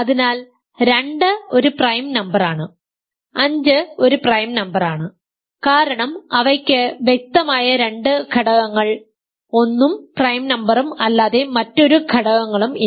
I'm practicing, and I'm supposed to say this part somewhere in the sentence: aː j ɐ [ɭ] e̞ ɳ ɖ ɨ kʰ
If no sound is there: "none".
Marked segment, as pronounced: ɾ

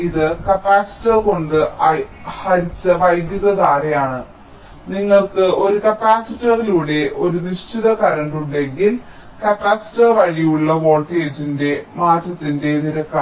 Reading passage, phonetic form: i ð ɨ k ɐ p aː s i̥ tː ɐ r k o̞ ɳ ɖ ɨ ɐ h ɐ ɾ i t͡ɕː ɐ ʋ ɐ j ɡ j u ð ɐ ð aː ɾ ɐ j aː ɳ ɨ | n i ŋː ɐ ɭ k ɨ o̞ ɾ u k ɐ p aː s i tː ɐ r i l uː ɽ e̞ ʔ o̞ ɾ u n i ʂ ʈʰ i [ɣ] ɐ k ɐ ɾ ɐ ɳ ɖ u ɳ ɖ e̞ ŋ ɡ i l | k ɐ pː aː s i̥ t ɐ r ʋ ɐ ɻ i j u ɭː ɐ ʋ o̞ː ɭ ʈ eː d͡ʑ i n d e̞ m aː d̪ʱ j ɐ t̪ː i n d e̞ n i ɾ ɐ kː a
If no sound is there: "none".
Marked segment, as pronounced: ð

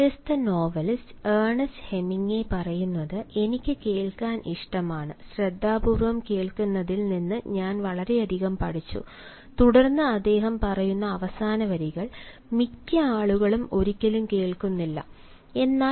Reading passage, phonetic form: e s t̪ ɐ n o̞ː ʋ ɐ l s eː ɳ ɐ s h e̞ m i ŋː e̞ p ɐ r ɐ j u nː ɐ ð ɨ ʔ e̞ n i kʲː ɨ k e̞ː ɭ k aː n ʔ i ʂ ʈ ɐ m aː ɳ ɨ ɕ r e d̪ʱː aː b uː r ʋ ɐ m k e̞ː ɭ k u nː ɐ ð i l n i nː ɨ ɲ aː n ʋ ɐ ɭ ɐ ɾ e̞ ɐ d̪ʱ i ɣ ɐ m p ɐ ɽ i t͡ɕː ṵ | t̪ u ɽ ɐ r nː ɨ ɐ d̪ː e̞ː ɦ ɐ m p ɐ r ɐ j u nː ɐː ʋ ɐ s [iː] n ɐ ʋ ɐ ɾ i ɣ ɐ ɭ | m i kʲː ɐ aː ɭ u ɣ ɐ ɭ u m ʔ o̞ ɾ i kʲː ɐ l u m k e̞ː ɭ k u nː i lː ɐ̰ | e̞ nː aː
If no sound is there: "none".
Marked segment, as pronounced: aː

